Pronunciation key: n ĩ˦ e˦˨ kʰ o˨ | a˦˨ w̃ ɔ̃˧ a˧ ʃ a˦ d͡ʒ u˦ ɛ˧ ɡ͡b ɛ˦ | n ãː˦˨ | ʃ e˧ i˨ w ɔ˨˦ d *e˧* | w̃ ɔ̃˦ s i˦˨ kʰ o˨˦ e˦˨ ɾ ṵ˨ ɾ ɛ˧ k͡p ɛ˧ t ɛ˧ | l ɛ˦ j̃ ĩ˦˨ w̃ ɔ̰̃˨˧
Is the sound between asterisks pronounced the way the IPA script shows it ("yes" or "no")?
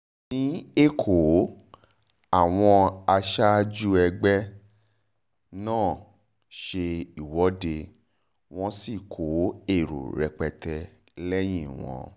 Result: yes